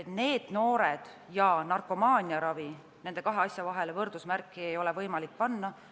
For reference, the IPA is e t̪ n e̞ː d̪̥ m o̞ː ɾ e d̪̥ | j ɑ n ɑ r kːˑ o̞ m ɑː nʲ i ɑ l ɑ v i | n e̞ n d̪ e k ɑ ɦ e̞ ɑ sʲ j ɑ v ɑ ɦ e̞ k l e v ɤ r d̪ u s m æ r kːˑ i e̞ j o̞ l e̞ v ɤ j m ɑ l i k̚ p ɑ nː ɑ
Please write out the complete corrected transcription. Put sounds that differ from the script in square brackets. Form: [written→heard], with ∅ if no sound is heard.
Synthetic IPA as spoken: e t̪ n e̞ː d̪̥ [m→n] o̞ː ɾ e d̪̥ | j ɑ n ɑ r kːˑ o̞ m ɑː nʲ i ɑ [l→ɾ] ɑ v i | n e̞ n d̪ e k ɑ ɦ e̞ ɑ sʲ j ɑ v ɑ ɦ e̞ [k→∅] l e v ɤ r d̪ u s m æ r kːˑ i e̞ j o̞ l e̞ v ɤ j m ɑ l i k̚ p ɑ nː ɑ